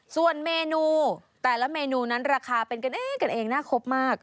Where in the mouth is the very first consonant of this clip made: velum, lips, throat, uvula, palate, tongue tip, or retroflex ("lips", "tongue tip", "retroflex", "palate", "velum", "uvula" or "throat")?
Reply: tongue tip